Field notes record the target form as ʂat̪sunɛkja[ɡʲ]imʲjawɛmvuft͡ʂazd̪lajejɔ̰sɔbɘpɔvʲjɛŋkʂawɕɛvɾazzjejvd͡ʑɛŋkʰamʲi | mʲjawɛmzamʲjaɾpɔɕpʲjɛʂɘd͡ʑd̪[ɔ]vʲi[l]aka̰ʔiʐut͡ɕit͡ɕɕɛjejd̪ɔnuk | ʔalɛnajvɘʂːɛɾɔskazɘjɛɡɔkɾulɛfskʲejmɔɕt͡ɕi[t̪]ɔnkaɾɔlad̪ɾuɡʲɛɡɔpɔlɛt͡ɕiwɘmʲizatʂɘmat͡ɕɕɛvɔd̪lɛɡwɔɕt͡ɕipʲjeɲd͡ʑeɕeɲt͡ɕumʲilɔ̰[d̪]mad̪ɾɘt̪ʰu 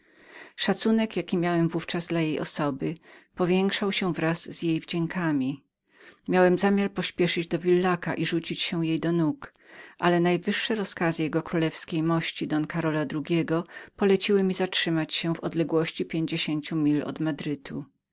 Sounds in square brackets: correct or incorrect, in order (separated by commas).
incorrect, correct, incorrect, incorrect, correct